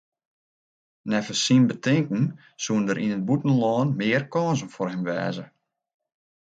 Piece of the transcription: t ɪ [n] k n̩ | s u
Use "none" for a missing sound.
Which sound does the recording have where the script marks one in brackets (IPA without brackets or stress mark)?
ŋ